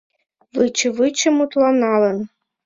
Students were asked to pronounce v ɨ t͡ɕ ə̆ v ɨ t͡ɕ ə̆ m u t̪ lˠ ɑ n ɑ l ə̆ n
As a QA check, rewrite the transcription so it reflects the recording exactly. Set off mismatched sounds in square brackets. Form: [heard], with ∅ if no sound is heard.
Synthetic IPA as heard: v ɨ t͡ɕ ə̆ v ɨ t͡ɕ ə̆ m u t̪ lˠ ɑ n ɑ l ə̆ n